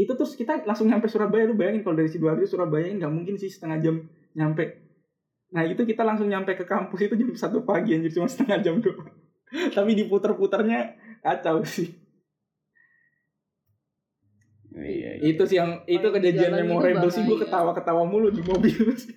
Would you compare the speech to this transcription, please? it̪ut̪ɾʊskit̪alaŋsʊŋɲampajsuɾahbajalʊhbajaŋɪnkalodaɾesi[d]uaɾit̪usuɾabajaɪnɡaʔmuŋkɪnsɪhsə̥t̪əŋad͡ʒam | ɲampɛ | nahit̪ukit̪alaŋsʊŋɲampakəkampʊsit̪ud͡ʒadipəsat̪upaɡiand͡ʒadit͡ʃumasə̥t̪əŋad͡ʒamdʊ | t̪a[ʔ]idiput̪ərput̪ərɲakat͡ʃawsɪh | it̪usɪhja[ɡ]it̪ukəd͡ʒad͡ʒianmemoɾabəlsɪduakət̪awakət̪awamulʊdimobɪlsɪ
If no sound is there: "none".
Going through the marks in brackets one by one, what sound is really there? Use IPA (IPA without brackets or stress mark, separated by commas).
d, p, ŋ